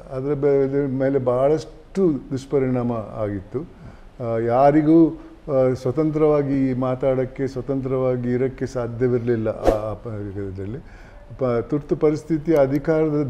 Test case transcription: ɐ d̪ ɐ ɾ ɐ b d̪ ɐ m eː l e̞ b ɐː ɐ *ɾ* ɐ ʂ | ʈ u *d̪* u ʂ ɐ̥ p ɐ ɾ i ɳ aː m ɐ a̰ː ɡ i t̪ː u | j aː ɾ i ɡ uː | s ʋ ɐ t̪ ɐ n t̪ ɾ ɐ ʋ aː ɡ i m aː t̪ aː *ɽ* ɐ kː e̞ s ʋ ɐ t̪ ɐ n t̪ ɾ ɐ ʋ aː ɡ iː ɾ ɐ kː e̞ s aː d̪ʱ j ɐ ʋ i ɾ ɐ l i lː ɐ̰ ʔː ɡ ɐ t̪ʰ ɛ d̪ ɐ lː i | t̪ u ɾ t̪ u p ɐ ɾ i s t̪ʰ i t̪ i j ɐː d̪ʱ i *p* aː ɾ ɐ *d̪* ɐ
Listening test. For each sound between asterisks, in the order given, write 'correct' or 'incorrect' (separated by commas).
incorrect, correct, correct, incorrect, correct